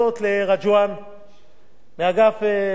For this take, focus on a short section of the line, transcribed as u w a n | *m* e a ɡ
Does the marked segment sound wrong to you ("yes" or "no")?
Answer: no